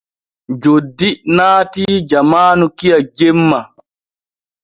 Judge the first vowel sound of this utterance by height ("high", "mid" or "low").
mid